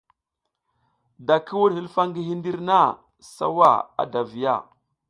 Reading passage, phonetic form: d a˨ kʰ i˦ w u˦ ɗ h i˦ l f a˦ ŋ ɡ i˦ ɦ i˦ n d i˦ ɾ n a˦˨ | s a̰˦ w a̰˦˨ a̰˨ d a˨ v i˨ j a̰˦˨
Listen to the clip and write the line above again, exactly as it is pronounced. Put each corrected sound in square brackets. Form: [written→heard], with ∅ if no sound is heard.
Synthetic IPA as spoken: d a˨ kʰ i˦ w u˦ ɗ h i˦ l f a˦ ŋ ɡ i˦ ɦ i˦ n d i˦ ɾ n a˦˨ | s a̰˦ w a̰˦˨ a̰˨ d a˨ v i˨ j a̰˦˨